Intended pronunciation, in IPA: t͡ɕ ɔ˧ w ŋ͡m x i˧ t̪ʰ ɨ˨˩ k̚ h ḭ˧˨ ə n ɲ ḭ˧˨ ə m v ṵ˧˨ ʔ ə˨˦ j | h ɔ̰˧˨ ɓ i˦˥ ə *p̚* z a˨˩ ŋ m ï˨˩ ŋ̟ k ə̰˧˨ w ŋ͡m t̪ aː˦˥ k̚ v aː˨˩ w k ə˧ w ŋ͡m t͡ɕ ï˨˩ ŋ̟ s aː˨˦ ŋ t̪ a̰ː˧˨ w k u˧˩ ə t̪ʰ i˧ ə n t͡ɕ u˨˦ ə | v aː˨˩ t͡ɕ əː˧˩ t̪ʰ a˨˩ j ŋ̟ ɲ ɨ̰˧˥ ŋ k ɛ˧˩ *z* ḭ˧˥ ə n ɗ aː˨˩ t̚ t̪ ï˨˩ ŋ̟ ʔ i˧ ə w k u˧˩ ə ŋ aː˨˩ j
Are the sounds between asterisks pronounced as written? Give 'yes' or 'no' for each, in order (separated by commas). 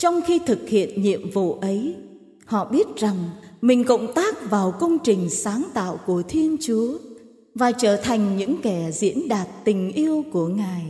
no, yes